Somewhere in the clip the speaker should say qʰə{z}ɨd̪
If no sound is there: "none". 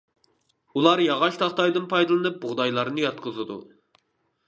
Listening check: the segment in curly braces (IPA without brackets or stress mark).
z